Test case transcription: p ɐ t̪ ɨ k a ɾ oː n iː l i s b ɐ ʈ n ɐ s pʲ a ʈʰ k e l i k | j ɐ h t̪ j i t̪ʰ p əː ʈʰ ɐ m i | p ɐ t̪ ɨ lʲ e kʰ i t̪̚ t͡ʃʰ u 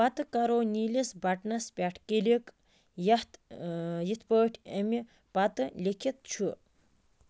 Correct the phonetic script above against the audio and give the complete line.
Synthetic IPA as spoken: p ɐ t̪ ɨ k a ɾ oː n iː l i s b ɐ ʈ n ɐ s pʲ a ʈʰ k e l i k | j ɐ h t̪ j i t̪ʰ p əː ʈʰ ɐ m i | p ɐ t̪ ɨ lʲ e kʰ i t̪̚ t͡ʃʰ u